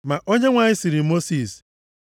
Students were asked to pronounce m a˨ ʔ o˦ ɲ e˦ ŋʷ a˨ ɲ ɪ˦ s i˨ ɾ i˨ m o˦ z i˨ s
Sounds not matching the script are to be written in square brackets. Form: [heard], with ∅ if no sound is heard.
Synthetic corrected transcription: m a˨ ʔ o˦ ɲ e˦ ŋʷ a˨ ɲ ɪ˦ s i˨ ɾ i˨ m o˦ [s] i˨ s